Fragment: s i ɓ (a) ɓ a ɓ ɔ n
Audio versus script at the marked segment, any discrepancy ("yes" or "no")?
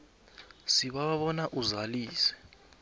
no